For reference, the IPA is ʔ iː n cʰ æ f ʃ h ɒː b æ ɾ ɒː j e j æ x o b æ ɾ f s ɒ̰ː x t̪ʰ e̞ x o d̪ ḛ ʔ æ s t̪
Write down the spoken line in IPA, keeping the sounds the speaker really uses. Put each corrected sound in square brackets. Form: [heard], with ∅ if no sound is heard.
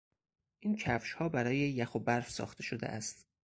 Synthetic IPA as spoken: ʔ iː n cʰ æ f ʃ h ɒː b æ ɾ ɒː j e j æ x o b æ ɾ f s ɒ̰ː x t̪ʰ e̞ [ʃ] o d̪ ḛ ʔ æ s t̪